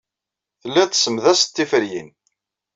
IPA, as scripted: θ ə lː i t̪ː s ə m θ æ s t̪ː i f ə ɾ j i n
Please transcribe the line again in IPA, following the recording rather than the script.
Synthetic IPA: θ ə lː æ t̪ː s ə m ð æ s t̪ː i f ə ɾ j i n